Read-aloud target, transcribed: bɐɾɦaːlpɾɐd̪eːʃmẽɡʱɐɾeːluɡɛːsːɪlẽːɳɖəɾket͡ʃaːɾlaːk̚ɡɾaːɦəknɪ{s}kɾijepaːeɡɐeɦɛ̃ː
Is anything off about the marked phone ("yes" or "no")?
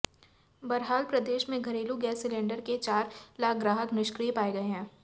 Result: yes